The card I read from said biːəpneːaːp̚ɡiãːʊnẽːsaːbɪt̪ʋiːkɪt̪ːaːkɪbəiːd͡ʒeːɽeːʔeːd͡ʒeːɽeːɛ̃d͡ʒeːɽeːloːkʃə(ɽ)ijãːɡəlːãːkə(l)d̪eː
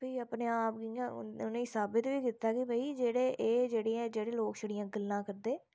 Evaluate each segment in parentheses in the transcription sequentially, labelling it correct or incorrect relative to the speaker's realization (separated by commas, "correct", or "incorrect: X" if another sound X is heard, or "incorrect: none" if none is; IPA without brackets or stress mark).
correct, incorrect: ɾ